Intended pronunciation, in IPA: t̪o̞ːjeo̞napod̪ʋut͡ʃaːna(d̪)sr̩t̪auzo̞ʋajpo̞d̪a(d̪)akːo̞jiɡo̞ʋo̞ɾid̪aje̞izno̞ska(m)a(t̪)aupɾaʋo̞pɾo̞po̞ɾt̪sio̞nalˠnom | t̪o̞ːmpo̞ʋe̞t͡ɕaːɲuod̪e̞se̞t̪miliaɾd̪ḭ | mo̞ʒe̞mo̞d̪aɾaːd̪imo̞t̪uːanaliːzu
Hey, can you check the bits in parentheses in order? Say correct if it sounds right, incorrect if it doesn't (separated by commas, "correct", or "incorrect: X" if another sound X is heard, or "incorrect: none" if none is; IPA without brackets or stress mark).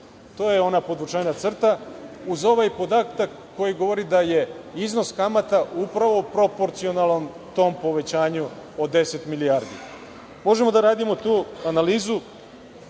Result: incorrect: t̪, incorrect: t̪, correct, correct